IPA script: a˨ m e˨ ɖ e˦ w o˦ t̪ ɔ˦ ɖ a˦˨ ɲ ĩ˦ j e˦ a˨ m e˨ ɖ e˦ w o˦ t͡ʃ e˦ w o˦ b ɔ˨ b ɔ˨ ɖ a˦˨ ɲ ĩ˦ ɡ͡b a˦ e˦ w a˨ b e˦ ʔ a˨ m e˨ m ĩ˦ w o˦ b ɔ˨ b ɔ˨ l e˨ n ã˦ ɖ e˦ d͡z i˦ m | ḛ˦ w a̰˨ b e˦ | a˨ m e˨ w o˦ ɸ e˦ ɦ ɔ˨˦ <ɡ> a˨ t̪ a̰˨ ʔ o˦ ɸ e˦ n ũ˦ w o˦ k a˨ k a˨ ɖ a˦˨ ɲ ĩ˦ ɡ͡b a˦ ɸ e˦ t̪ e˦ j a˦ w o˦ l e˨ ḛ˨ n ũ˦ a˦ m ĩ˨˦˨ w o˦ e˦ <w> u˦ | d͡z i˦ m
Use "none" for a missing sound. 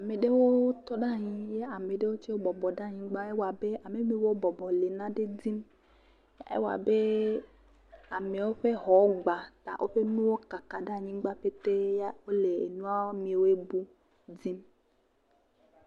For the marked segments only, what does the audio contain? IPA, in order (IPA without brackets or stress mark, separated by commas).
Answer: ɡ͡b, b